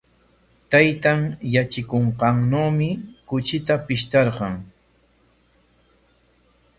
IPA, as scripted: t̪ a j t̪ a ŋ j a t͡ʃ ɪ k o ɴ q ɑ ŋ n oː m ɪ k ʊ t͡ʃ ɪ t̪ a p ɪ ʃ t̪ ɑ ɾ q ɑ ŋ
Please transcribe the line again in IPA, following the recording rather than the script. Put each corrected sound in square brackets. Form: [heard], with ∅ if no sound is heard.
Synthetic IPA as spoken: t̪ a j t̪ a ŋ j a t͡ʃ ɪ k o ɴ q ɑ ŋ n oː m ɪ k ʊ t͡ʃ ɪ t̪ a p ɪ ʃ t̪ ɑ ɾ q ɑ ŋ